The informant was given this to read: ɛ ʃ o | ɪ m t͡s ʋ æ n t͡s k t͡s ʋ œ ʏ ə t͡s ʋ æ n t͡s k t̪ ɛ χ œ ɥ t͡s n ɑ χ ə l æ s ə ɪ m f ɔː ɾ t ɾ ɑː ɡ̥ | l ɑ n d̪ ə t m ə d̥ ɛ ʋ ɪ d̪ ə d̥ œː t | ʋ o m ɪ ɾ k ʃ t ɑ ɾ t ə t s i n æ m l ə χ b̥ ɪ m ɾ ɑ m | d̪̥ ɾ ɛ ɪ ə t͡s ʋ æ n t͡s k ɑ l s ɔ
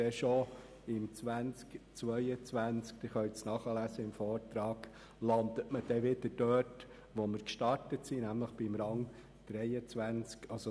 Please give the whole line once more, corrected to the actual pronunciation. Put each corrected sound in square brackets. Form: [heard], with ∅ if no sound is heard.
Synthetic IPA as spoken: ɛ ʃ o | ɪ m t͡s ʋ æ n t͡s k t͡s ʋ œ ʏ ə t͡s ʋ æ n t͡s k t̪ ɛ χ œ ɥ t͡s n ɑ χ ə l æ s ə ɪ m f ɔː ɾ t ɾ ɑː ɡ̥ | l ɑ n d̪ ə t m ə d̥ ɛ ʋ ɪ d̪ ə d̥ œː t | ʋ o m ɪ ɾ k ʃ t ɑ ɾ t ə t s i n æ m l ə χ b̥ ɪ m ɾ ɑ [ŋ] | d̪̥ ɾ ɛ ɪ ə t͡s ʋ æ n t͡s k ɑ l s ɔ